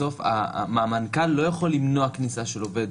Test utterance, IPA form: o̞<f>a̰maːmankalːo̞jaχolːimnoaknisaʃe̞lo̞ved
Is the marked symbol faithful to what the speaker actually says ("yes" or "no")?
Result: yes